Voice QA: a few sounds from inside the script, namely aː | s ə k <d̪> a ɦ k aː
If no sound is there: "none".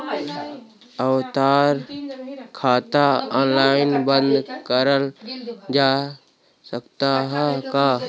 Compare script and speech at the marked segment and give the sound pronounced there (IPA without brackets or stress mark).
t̪